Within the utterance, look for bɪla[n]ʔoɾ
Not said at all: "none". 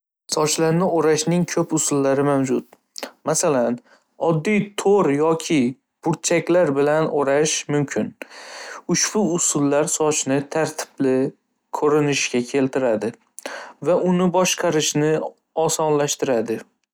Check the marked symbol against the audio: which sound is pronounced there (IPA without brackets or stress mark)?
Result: n